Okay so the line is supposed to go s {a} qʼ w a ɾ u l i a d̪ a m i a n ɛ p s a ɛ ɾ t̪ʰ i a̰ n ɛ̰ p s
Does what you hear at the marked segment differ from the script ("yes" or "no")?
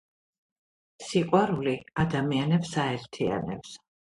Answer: yes